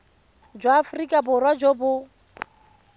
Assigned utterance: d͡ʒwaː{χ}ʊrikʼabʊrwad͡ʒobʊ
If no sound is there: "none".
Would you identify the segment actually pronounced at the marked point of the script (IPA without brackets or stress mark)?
f